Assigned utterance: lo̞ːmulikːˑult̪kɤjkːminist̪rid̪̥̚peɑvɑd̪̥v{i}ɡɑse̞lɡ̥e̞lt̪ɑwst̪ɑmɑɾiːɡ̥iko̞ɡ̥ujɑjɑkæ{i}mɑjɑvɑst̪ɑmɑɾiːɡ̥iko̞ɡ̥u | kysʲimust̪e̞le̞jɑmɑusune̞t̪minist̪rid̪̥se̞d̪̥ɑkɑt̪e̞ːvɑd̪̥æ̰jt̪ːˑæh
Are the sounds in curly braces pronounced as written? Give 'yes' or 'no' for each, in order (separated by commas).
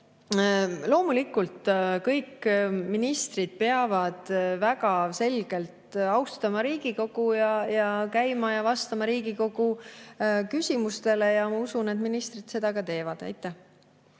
no, no